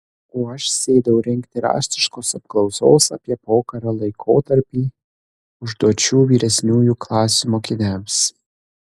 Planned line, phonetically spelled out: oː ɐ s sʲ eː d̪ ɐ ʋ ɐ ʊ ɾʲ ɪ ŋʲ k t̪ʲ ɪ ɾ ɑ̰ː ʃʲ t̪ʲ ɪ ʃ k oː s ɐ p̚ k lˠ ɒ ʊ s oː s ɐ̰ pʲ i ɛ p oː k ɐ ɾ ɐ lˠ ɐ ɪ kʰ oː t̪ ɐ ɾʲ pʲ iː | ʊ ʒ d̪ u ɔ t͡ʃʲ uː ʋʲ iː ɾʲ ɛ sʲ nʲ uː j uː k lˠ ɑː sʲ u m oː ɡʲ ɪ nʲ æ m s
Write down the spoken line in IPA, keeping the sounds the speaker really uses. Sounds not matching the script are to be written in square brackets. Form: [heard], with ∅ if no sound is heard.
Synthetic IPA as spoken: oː ɐ [ʃ] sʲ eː d̪ ɐ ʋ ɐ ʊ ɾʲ ɪ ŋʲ k t̪ʲ ɪ ɾ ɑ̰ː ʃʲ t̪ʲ ɪ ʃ k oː s ɐ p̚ k lˠ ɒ ʊ s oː s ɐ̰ pʲ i ɛ p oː k ɐ ɾ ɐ lˠ ɐ ɪ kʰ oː t̪ ɐ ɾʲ pʲ iː | ʊ ʒ d̪ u ɔ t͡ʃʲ uː ʋʲ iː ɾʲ ɛ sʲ nʲ uː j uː k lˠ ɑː sʲ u m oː [kʲ] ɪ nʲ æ m s

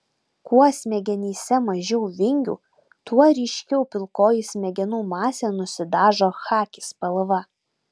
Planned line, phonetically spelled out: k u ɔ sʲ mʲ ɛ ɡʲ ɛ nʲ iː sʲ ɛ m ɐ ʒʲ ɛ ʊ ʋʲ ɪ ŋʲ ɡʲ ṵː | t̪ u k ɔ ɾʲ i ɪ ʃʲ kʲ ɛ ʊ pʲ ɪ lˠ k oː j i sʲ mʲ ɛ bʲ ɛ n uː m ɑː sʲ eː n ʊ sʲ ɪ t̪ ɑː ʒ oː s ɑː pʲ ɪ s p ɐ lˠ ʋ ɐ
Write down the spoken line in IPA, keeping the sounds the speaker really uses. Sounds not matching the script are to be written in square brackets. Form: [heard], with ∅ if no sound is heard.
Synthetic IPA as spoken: k u ɔ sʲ mʲ ɛ ɡʲ ɛ nʲ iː sʲ ɛ m ɐ ʒʲ ɛ ʊ ʋʲ ɪ ŋʲ ɡʲ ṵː | t̪ u [∅] ɔ ɾʲ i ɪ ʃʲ kʲ ɛ ʊ pʲ ɪ lˠ k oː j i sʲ mʲ ɛ [ɡʲ] ɛ n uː m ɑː sʲ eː n ʊ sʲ ɪ [d̪] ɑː ʒ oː [x] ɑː [kʲ] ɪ s p ɐ lˠ ʋ ɐ

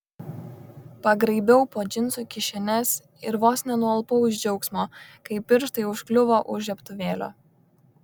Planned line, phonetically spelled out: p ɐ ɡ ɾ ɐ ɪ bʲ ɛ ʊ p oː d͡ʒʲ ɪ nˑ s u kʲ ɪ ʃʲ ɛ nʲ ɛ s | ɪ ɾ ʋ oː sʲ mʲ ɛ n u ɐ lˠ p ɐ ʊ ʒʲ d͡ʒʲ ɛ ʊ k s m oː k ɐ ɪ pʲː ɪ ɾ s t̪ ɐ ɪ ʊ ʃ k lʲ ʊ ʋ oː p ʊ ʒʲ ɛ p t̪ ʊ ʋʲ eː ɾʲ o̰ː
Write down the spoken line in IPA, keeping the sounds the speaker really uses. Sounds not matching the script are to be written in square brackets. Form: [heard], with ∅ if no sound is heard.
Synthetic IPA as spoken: p ɐ ɡ ɾ ɐ ɪ bʲ ɛ ʊ p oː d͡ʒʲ ɪ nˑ s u kʲ ɪ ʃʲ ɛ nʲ ɛ s | ɪ ɾ ʋ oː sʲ [nʲ] ɛ n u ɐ lˠ p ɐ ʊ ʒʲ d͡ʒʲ ɛ ʊ k s m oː k ɐ ɪ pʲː ɪ ɾ [ʃ] t̪ ɐ ɪ ʊ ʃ k lʲ ʊ ʋ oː [ʔ] ʊ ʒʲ ɛ p t̪ ʊ ʋʲ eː [lʲ] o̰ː

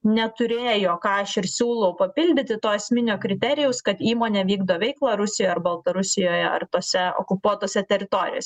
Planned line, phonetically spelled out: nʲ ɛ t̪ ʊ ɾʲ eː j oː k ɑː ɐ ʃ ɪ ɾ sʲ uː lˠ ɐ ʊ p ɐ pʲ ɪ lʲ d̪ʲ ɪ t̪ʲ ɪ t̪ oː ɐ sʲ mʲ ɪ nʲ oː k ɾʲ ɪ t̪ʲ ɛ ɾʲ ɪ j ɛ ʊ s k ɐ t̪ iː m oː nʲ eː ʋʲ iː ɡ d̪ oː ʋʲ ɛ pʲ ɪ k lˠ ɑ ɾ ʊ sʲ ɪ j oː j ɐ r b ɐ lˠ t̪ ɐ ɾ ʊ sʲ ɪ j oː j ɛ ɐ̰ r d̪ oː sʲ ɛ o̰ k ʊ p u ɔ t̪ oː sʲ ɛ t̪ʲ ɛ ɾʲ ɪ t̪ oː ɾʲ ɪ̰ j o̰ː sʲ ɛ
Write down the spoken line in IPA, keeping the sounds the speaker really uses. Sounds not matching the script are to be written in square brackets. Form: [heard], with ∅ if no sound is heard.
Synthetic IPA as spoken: nʲ ɛ t̪ ʊ ɾʲ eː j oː k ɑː ɐ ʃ ɪ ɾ sʲ uː lˠ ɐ ʊ p ɐ pʲ ɪ lʲ d̪ʲ ɪ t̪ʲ ɪ t̪ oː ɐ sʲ mʲ ɪ nʲ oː k ɾʲ ɪ t̪ʲ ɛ ɾʲ ɪ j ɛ ʊ s k ɐ t̪ iː m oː nʲ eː ʋʲ iː ɡ d̪ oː ʋʲ ɛ [∅] ɪ k lˠ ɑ ɾ ʊ sʲ ɪ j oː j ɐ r b ɐ lˠ t̪ ɐ ɾ ʊ sʲ ɪ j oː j ɛ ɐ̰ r [t̪] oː sʲ ɛ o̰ k ʊ p u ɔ t̪ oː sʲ ɛ t̪ʲ ɛ ɾʲ ɪ t̪ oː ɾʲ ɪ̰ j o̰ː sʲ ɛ

